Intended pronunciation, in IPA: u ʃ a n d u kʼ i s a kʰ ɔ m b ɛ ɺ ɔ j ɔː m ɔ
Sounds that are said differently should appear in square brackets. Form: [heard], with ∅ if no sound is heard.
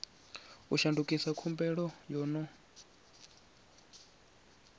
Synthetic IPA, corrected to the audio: u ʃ a n d u kʼ i s a kʰ [u] m b ɛ ɺ ɔ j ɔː [n] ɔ